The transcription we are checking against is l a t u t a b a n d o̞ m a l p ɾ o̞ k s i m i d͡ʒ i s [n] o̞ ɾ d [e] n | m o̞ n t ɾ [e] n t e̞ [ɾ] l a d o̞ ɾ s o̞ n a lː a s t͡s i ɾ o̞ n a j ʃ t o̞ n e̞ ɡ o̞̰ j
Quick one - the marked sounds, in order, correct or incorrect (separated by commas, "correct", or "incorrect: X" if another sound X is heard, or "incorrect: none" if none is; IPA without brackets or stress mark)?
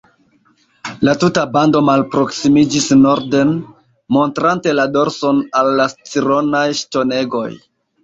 correct, correct, incorrect: a, incorrect: none